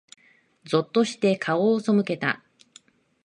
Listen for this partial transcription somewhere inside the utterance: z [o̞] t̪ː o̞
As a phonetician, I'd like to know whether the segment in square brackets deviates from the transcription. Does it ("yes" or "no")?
no